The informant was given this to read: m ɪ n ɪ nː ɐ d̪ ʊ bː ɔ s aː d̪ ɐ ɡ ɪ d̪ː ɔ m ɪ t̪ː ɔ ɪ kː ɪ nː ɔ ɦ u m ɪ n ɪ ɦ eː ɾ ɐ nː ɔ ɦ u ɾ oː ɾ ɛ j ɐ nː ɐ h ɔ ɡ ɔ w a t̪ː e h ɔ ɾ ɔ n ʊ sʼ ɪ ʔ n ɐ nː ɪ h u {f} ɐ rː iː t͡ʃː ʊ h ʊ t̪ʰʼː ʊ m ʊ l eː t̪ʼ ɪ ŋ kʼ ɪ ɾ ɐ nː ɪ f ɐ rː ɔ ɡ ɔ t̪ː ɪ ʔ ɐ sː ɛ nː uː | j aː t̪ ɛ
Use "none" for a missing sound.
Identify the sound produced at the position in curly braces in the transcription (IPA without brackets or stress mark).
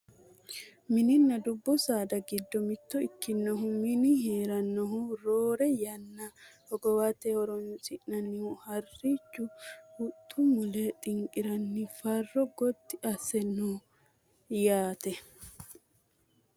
h